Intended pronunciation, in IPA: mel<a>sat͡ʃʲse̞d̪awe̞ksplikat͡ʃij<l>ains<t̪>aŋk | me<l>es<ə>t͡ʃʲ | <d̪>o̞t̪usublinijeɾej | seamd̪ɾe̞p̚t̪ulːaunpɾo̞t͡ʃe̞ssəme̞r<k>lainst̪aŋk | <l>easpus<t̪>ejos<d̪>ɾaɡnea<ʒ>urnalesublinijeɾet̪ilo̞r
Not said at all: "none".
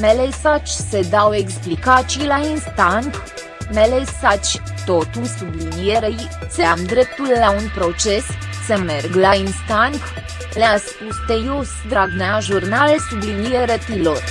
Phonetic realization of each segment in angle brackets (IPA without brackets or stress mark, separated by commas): e, l, t̪, l, a, t̪, ɡ, l, t̪, d̪, ʒ